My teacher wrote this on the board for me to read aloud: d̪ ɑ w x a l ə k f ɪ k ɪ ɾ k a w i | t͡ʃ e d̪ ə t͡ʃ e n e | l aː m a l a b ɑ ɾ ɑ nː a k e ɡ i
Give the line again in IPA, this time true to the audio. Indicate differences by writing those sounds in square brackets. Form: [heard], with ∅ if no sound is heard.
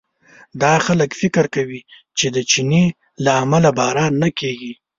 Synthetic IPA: d̪ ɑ [∅] x a l ə k f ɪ k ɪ ɾ k a w i | t͡ʃ e d̪ ə t͡ʃ [i] n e | l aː m a l a b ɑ ɾ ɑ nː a k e ɡ i